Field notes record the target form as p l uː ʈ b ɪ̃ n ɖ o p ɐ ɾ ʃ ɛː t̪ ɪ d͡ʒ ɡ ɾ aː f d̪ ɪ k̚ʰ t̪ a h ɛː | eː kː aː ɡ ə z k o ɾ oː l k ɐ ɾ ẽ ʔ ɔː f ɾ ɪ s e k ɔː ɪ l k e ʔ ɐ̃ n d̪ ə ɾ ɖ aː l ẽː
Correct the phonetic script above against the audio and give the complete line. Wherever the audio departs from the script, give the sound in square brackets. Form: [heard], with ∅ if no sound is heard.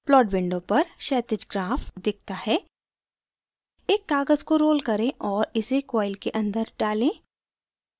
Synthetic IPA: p l [ɔː] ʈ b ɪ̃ [ɳ] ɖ o p ɐ ɾ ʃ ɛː t̪ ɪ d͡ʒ ɡ ɾ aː f d̪ ɪ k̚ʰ t̪ a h ɛː | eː kː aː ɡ ə z k o ɾ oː l k ɐ ɾ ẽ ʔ ɔː [∅] ɾ ɪ s e k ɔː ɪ l k e ʔ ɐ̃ n d̪ ə ɾ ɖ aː l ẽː

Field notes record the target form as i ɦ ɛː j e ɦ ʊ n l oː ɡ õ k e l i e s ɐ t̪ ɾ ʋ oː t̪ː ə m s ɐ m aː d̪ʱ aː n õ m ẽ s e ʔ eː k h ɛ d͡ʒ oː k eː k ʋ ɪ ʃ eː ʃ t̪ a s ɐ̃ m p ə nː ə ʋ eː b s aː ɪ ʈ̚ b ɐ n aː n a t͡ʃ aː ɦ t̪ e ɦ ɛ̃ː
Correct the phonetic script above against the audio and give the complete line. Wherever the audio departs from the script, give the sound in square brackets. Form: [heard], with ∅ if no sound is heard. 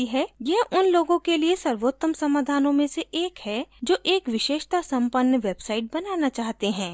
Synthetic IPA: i ɦ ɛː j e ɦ ʊ n l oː ɡ õ k e l i e s ɐ [∅] ɾ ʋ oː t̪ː ə m s ɐ m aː d̪ʱ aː n õ m ẽ s e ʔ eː k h ɛ d͡ʒ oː [ʔ] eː k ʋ ɪ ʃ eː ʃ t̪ a s ɐ̃ m p ə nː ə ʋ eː b s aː ɪ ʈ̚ b ɐ n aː n a t͡ʃ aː ɦ t̪ e ɦ ɛ̃ː

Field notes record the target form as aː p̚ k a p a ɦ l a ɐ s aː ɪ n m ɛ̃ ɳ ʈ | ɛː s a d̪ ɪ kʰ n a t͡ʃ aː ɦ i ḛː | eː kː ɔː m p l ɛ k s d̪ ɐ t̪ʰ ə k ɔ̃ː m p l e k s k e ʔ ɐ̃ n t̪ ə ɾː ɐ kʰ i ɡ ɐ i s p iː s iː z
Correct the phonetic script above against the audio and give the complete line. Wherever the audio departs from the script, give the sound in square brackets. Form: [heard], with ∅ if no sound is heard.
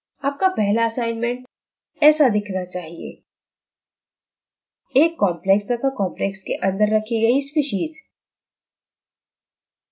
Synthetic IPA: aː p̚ k a p [ɛ] ɦ l a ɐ s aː ɪ n m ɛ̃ ɳ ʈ | ɛː s a d̪ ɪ kʰ n a t͡ʃ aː ɦ i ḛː | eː kː ɔː m p l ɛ k s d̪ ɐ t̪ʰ [a] k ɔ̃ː m p l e k s k e ʔ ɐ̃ n [d̪] ə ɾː ɐ kʰ i ɡ ɐ i s p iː [ʃ] iː z

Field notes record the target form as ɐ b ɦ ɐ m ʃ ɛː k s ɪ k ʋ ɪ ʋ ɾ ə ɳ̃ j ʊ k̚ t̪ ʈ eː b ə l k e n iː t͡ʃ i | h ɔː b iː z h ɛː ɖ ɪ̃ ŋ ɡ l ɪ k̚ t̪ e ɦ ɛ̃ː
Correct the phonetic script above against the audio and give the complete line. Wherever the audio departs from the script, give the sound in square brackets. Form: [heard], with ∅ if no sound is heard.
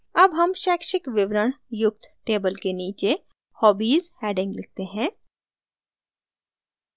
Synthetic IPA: ɐ b ɦ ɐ m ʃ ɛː k [ʃ] ɪ k ʋ ɪ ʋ ɾ ə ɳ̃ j ʊ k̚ t̪ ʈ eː b ə l k e n iː t͡ʃ [e] | h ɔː b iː z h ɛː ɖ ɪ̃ ŋ ɡ l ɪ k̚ t̪ e ɦ ɛ̃ː

